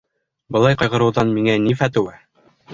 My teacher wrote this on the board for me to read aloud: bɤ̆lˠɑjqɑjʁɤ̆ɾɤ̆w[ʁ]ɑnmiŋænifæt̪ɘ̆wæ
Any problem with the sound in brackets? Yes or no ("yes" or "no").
yes